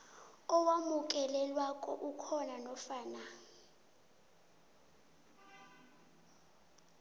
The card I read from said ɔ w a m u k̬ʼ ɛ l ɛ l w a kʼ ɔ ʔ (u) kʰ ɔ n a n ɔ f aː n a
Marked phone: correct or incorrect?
correct